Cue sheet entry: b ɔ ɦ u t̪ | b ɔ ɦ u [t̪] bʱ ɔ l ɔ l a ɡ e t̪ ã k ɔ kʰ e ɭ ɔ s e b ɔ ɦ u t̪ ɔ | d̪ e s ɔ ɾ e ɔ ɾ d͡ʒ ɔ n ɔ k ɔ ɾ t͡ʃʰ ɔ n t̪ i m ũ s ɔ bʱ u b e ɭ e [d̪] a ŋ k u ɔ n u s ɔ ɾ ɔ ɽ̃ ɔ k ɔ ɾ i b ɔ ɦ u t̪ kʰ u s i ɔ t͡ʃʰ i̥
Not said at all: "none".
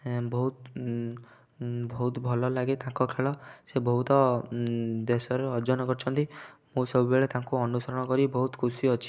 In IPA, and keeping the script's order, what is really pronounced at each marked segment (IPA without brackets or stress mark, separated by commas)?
t̪, t̪